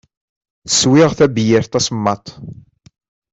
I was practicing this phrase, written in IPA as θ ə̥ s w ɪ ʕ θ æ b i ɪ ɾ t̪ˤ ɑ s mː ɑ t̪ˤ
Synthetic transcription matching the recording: θ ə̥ s w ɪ ʁ θ æ b j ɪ ɾ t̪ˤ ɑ s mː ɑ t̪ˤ